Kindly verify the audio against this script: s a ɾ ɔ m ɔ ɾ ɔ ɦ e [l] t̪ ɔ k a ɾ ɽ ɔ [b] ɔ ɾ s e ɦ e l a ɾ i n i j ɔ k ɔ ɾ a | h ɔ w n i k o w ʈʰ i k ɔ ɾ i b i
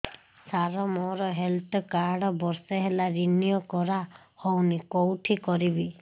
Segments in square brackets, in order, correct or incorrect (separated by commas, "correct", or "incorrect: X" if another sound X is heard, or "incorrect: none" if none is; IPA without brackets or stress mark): correct, correct